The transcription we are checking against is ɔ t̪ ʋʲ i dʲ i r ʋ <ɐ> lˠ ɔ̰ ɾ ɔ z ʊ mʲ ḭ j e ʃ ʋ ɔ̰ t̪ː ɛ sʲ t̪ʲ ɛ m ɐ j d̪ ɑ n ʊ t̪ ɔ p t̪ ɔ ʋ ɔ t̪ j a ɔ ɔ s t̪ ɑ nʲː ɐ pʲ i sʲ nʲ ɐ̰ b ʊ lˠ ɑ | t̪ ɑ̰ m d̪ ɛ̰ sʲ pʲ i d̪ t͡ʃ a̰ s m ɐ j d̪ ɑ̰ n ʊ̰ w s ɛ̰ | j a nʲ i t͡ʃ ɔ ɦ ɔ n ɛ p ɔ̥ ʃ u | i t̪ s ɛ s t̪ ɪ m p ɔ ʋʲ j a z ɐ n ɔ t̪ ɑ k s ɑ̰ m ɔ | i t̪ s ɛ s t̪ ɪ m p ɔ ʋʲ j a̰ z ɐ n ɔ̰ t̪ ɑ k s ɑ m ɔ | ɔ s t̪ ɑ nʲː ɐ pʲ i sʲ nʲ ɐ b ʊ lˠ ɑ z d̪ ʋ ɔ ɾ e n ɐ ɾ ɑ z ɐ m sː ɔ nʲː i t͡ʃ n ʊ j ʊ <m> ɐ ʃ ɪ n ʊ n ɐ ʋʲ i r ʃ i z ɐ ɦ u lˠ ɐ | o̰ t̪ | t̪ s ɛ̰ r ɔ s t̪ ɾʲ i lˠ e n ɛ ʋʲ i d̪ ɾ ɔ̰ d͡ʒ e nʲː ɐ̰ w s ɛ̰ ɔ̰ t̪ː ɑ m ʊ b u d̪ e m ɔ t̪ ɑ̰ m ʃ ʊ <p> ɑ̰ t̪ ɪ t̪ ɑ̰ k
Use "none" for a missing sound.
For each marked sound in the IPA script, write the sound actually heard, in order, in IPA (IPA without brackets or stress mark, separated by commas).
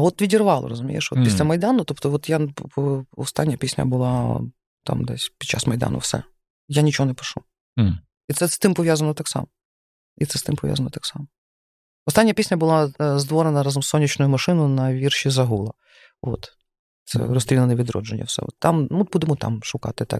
ɑ, m, k